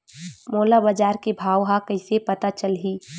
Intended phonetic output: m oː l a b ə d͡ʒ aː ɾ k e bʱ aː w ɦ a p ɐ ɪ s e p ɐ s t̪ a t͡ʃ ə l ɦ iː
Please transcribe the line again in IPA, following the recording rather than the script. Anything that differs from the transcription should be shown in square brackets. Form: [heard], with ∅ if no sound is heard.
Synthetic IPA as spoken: m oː l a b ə d͡ʒ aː ɾ k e bʱ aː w ɦ a [k] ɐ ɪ s e p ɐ [∅] t̪ a t͡ʃ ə l ɦ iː